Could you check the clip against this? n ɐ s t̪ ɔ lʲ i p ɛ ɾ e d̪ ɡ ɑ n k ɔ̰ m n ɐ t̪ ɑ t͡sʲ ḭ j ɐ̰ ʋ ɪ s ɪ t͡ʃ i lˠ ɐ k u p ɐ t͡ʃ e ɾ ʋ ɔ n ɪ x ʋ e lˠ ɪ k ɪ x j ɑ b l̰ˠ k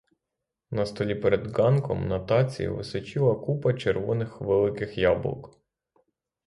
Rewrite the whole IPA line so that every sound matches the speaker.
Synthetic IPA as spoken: n ɐ s t̪ ɔ lʲ i p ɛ ɾ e d̪ ɡ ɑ n k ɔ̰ m n ɐ t̪ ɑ t͡sʲ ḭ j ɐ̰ ʋ ɪ s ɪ t͡ʃ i lˠ ɐ k u p ɐ t͡ʃ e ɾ ʋ ɔ n ɪ x ʋ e lˠ ɪ k ɪ x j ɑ b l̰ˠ k